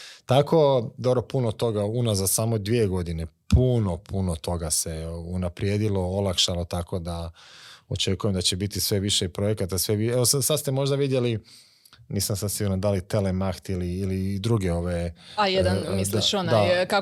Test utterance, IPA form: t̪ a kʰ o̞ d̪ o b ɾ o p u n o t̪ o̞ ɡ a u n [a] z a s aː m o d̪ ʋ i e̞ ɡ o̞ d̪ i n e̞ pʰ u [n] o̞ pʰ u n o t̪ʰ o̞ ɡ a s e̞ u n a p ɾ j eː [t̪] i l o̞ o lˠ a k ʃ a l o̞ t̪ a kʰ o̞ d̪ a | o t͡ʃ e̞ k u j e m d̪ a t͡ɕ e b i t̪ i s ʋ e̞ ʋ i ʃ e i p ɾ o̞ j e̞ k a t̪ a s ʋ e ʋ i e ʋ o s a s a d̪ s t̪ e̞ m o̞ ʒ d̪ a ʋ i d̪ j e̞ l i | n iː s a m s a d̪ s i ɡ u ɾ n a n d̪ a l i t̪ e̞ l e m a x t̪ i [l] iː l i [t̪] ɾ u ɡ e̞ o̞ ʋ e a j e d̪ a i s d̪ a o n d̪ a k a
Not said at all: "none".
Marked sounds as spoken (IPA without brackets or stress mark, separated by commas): a, n, d̪, l, d̪